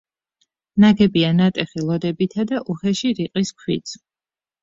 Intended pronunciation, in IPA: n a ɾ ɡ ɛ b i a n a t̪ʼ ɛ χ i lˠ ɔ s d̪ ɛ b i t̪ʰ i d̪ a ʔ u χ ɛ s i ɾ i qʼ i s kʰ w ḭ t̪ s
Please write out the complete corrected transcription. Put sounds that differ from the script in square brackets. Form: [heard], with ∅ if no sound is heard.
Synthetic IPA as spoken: n a [∅] ɡ ɛ b i a n a t̪ʼ ɛ χ i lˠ ɔ [∅] d̪ ɛ b i t̪ʰ [a] d̪ a ʔ u χ ɛ [ʃ] i ɾ i qʼ i s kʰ w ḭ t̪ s